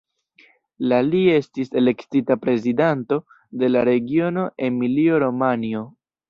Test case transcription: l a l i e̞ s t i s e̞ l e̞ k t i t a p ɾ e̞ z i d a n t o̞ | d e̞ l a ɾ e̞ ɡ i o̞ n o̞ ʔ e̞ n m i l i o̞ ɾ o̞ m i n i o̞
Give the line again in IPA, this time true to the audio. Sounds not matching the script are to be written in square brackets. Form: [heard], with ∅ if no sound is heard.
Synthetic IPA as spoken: l a l i e̞ s t i s e̞ l e̞ k t i t a p ɾ e̞ z i d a n t o̞ | d e̞ l a ɾ e̞ ɡ i o̞ n o̞ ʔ e̞ n m i l i o̞ ɾ o̞ m [a] n i o̞